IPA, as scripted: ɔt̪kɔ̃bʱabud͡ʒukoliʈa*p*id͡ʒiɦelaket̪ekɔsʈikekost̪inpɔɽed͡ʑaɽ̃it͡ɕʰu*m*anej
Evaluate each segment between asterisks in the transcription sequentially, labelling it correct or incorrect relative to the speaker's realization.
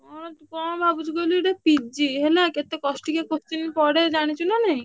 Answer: correct, incorrect

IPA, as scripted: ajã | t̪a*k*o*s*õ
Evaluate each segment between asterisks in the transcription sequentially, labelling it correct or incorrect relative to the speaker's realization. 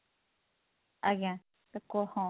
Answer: correct, incorrect

